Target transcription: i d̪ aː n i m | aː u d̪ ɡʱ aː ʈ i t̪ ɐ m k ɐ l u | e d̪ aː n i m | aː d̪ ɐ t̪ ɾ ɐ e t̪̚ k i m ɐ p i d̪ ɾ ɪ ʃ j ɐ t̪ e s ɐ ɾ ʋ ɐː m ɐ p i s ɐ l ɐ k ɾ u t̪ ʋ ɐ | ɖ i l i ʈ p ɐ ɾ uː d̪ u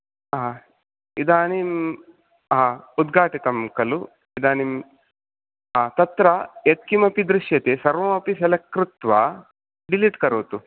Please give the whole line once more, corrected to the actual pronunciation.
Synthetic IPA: i d̪ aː n i m | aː u d̪ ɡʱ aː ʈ i t̪ ɐ m k ɐ l u | i d̪ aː n i m | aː t̪ ɐ t̪ ɾ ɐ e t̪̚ k i m ɐ p i d̪ ɾ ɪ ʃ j ɐ t̪ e s ɐ ɾ ʋ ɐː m ɐ p i s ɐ l ɐ k ɾ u t̪ ʋ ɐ | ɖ i l i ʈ k ɐ ɾ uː t̪ u

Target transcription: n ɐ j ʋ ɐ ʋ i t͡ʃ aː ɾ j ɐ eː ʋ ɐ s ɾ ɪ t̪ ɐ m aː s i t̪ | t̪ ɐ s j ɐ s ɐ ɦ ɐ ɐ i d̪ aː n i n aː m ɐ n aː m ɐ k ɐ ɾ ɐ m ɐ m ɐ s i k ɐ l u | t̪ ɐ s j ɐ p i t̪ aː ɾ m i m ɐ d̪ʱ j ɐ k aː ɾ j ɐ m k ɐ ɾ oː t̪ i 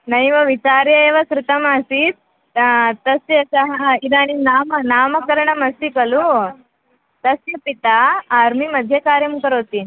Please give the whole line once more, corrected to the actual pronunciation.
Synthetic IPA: n ɐ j ʋ ɐ ʋ i t͡ʃ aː ɾ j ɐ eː ʋ ɐ s ɾ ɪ t̪ ɐ m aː s i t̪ | t̪ ɐ s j ɐ s ɐ ɦ ɐ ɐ i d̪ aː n i n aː m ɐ n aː m ɐ k ɐ ɾ ɐ ɳ ɐ m ɐ s i k ɐ l u | t̪ ɐ s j ɐ p i t̪ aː ɾ m i m ɐ d̪ʱ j ɐ k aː ɾ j ɐ m k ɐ ɾ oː t̪ i

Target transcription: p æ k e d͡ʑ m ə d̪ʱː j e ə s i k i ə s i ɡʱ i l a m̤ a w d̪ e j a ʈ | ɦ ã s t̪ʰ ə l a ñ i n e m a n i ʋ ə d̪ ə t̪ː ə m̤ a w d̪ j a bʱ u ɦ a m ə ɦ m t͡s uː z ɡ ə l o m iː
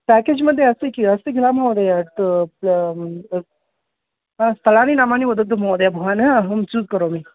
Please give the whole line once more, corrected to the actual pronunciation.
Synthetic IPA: p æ k e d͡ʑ m ə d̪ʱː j e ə s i k i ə s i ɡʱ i l a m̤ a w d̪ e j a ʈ | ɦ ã s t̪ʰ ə l a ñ i n a m a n i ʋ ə d̪ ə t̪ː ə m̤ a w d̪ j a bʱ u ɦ a n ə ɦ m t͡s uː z k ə ɾ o m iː

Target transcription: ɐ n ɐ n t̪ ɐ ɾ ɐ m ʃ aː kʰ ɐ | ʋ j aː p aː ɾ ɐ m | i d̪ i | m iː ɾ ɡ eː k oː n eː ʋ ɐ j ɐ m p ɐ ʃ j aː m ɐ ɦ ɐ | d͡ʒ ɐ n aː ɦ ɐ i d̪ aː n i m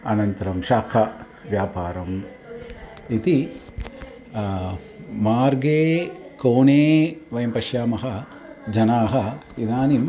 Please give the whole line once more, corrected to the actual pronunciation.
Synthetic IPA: ɐ n ɐ n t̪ ɐ ɾ ɐ m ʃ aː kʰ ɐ | ʋ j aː p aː ɾ ɐ m | i t̪ i | m aː ɾ ɡ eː k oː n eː ʋ ɐ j ɐ m p ɐ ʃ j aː m ɐ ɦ ɐ | d͡ʒ ɐ n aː ɦ ɐ i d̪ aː n i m

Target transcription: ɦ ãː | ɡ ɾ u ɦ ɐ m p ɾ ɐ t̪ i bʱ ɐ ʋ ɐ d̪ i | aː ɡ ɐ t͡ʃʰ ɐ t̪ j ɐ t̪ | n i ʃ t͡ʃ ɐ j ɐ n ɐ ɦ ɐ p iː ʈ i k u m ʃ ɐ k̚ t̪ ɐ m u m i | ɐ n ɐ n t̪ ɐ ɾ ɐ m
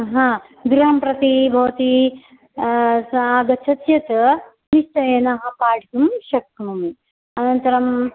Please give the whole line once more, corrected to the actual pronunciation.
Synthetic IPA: ɦ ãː | ɡ ɾ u ɦ ɐ m p ɾ ɐ t̪ i bʱ ɐ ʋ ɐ t̪ i | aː ɡ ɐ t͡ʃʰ ɐ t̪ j ɐ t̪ | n i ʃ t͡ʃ ɐ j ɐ n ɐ ɦ ɐ p aː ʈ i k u m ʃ ɐ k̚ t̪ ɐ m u m i | ɐ n ɐ n t̪ ɐ ɾ ɐ m

